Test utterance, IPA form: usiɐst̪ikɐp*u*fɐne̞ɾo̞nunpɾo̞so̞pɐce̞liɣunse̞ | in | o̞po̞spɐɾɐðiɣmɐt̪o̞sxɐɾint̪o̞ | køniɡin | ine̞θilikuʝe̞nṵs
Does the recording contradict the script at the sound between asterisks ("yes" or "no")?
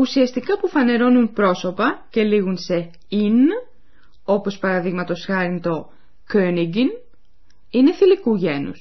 no